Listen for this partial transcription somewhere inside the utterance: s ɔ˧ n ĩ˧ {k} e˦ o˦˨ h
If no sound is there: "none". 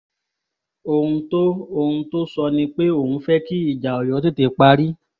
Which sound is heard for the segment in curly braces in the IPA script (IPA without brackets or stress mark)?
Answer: k͡p